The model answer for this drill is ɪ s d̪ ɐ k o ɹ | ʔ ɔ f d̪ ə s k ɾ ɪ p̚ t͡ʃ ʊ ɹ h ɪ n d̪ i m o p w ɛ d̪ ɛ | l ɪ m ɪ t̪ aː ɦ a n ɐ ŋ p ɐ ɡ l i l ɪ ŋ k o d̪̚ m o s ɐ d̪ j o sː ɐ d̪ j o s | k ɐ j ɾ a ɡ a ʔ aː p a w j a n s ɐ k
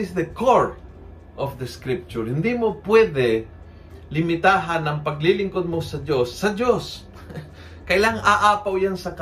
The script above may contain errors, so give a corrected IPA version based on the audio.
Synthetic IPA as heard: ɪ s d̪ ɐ k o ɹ | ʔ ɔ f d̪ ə s k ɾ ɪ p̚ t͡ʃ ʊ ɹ h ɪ n d̪ i m o p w ɛ d̪ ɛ | l ɪ m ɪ t̪ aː ɦ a n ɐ ŋ p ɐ ɡ l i l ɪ ŋ k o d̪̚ m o s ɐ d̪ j o sː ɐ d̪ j o s | k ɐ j l a ŋ a ʔ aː p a w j a n s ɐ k